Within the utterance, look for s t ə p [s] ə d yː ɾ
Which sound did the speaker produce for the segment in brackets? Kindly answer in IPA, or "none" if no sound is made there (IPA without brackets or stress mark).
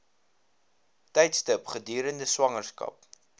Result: χ